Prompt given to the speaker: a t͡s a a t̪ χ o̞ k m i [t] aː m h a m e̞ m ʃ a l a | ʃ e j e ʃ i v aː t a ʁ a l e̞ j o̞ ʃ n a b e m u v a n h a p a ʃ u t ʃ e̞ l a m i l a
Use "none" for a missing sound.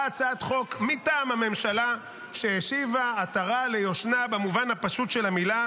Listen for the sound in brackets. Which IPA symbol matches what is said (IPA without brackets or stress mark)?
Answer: t